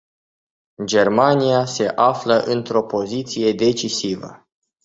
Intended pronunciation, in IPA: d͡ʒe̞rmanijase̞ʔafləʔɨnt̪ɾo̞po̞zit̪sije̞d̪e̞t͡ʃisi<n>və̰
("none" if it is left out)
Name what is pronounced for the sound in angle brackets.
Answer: none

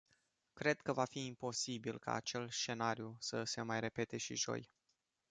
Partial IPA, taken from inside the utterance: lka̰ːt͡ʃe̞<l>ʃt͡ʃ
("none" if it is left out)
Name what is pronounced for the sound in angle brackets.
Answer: l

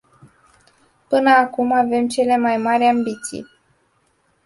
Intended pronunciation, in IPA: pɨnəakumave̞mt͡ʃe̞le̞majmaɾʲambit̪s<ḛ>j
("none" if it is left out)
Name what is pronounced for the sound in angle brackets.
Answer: ḭ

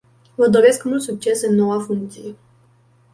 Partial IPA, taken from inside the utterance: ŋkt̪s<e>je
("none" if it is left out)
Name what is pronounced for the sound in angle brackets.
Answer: i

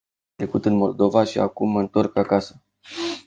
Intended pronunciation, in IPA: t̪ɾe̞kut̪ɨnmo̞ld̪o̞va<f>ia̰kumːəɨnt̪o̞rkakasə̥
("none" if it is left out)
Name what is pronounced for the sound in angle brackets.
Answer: ʃ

